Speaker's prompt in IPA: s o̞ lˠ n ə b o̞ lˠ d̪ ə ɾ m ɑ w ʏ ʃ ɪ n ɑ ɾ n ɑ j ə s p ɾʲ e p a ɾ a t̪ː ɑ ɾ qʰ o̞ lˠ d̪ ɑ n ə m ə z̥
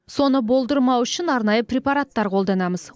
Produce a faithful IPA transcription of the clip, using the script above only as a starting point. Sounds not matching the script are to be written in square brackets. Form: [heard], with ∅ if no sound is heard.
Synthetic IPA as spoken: s o̞ [∅] n ə b o̞ lˠ d̪ ə ɾ m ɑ w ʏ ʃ ɪ n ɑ ɾ n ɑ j ə [∅] p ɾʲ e p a ɾ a t̪ː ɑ ɾ qʰ o̞ lˠ d̪ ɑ n [ɑ] m ə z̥